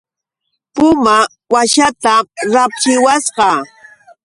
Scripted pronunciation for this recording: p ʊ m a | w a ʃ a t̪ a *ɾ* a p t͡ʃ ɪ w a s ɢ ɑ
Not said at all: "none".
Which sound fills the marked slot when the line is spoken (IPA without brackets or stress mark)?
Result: ɾ